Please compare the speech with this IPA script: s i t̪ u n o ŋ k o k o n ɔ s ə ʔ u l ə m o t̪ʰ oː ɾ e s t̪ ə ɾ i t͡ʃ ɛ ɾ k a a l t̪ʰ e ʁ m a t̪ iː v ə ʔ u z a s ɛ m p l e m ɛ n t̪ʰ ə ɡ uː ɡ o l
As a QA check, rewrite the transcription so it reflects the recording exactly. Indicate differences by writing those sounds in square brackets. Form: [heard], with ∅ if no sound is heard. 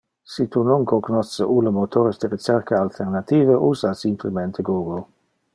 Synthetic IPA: s i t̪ u n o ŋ k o k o n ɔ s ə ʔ u l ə m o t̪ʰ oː ɾ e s [d̪] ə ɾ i t͡ʃ ɛ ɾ k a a l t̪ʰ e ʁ [n] a t̪ iː v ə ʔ u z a s [i] m p l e m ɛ n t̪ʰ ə ɡ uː ɡ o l